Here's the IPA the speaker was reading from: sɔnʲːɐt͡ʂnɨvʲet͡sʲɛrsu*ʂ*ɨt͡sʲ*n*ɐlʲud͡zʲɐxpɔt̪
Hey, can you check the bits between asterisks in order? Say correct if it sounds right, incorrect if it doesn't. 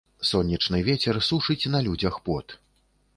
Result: correct, correct

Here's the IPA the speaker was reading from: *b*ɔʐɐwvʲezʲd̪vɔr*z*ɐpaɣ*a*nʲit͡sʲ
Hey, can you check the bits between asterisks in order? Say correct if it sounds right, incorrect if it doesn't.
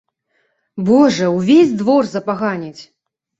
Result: correct, correct, correct

